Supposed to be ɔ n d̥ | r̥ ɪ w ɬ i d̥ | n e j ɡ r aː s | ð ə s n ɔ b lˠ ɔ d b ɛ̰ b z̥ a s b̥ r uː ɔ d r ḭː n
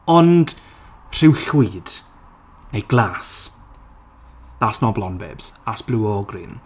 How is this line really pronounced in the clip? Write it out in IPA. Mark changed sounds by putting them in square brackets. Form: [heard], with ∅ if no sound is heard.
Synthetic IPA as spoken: ɔ n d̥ | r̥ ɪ w ɬ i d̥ | n e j ɡ [l] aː s | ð [a] s n ɔ b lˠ ɔ [n] b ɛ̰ b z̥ a s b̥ [l] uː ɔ [ɡ] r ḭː n